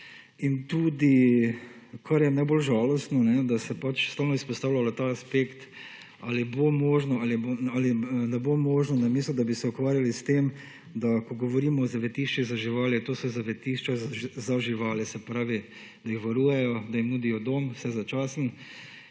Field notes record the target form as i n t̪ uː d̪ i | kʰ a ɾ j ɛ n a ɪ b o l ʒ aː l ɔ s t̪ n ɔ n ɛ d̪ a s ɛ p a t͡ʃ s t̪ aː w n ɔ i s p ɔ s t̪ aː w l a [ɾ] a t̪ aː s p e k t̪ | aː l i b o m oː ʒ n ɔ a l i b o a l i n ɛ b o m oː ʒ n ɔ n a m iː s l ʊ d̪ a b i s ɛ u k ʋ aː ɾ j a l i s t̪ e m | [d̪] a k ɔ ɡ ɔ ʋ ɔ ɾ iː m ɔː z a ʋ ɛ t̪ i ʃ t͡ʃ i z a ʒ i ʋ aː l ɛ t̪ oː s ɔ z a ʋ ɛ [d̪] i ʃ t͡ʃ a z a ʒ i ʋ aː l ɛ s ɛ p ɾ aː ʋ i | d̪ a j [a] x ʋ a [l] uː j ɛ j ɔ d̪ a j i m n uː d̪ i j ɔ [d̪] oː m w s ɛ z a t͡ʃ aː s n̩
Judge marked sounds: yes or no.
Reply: no, yes, no, no, no, yes

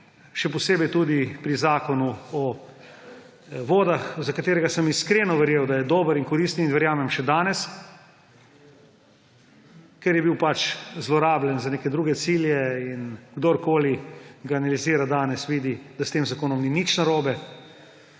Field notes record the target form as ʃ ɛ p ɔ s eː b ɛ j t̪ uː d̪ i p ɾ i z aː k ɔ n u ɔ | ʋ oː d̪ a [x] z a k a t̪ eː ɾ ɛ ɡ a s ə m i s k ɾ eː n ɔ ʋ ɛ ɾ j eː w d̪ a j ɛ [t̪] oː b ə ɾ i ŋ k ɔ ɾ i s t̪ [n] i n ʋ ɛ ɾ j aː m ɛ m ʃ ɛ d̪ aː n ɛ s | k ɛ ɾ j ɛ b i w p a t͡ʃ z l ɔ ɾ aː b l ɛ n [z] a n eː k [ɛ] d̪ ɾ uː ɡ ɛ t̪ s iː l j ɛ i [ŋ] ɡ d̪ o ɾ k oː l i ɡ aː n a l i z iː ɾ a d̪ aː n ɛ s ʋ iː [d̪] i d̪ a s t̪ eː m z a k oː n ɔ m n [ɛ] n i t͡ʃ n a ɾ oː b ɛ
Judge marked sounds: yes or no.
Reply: yes, no, yes, yes, yes, no, yes, no

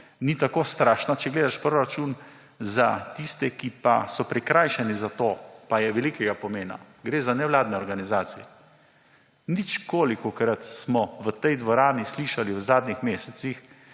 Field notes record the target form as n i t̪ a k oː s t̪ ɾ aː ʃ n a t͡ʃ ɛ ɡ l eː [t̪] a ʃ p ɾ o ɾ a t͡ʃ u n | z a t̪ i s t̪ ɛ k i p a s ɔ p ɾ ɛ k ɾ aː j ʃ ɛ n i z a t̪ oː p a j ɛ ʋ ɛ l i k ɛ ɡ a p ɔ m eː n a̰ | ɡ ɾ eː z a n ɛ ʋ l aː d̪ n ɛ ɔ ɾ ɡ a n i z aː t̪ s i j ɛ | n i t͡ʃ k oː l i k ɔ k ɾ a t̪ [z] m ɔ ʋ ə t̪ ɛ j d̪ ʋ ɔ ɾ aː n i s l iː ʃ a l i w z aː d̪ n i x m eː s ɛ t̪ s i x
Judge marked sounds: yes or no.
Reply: no, no

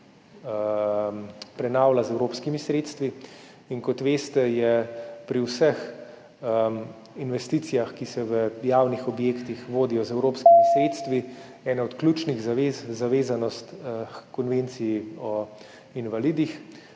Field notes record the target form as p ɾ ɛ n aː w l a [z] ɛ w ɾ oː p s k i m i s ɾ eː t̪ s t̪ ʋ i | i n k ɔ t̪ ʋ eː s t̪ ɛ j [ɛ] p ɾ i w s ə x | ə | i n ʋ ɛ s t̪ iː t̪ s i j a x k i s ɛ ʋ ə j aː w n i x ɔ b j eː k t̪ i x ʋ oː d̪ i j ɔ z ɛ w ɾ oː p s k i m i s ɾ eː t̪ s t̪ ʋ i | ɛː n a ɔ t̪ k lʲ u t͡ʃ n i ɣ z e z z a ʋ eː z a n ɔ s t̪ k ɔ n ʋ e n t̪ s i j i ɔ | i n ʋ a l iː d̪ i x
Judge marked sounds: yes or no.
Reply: yes, yes

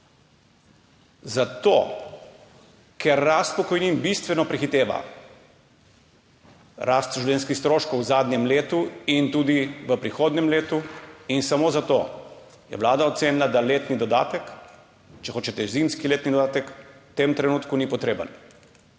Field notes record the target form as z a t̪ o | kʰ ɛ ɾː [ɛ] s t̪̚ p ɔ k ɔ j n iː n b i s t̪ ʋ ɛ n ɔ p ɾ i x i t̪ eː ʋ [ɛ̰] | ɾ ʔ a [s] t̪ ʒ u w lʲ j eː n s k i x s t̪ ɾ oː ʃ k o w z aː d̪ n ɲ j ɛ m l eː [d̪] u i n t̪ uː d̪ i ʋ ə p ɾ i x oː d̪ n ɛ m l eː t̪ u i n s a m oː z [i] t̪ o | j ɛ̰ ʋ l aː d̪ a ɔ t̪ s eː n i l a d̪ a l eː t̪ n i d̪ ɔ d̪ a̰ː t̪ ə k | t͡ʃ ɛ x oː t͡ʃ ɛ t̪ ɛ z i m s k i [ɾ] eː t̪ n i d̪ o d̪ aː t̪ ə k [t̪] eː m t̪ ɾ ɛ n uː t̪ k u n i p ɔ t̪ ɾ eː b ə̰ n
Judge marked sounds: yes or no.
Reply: no, no, yes, no, no, no, yes

